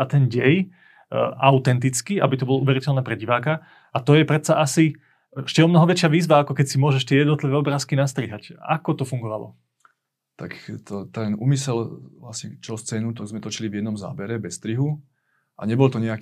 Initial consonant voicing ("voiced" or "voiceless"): voiceless